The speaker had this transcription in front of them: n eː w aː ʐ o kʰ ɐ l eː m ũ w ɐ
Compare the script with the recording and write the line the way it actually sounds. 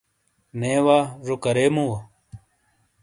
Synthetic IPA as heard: n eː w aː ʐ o k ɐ ɾ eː m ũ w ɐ